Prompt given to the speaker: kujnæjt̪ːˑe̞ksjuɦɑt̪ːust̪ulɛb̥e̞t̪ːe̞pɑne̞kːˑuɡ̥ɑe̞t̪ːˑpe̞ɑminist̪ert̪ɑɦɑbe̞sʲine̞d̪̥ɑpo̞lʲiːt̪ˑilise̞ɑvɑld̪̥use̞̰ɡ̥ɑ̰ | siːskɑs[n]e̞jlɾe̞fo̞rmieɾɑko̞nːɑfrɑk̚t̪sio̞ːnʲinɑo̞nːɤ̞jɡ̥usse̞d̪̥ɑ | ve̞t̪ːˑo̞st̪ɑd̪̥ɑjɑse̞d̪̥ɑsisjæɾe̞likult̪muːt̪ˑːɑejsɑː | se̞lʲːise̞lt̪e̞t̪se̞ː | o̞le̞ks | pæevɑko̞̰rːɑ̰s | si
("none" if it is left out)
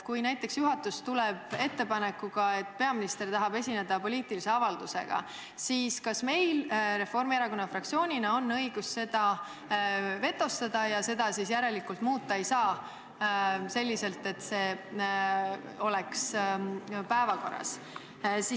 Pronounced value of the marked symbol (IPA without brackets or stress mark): m